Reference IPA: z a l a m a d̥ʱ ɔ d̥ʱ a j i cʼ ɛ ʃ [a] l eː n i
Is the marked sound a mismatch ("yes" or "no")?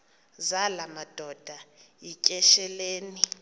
yes